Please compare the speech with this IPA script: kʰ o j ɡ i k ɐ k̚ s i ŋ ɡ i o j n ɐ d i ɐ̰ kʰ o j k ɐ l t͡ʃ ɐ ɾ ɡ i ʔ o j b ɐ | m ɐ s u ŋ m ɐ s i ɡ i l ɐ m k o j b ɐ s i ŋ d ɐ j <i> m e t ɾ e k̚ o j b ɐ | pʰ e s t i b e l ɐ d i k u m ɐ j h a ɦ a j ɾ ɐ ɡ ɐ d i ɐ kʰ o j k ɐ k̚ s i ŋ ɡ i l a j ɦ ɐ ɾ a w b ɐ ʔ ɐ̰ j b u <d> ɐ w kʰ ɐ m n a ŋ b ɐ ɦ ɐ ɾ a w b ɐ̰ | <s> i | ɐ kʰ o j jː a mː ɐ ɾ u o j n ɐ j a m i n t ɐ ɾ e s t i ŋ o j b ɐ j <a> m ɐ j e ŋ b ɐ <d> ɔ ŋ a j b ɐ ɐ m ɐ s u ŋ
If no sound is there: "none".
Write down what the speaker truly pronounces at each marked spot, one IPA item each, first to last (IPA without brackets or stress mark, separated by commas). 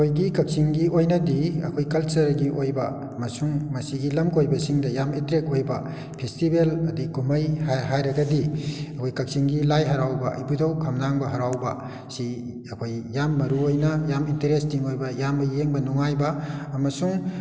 a, d, s, a, n